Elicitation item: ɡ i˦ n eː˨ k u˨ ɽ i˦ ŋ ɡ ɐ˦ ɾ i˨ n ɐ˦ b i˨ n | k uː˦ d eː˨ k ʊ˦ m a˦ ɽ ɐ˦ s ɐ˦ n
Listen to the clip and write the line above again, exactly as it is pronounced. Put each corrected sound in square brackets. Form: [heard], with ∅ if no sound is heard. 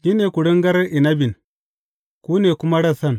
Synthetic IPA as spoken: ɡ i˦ n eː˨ k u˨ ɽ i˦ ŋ ɡ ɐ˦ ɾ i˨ n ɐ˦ b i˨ n | k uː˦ [n] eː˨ k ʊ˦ m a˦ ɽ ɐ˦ s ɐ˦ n